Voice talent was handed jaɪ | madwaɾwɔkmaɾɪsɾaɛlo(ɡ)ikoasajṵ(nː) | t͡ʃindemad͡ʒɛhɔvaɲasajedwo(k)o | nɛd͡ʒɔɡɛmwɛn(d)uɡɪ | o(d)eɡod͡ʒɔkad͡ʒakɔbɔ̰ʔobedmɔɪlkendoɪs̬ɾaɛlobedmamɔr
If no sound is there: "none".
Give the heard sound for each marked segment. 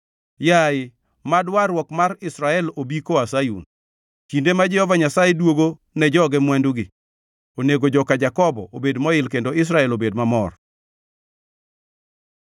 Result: b, n, ɡ, d, n

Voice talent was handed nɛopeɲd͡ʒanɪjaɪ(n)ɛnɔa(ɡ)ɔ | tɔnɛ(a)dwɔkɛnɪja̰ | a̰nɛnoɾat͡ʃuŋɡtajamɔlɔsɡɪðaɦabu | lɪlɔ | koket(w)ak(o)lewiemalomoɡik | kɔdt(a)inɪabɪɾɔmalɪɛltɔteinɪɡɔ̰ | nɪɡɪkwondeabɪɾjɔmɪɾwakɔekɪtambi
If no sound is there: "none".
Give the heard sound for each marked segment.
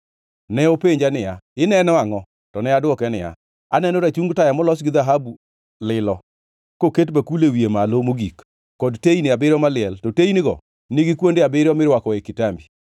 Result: n, ŋ, a, b, u, e

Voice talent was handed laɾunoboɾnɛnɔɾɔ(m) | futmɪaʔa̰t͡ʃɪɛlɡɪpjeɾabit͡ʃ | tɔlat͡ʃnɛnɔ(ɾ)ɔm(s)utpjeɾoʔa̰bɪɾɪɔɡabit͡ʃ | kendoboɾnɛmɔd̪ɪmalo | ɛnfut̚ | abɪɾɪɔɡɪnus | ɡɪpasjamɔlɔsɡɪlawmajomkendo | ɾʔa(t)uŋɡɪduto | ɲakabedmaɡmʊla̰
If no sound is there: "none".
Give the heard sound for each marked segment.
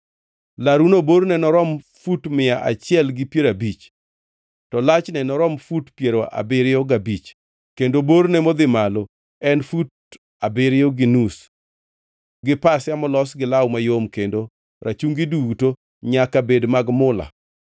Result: m, ɾ, f, t͡ʃ

